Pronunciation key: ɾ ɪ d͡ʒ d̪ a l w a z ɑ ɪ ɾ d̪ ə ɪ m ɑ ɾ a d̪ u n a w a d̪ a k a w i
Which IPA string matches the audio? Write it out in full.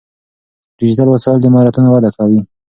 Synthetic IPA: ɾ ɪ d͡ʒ d̪ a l w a s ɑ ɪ l d̪ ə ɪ m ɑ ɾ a t̪ u n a w a d̪ a k a w i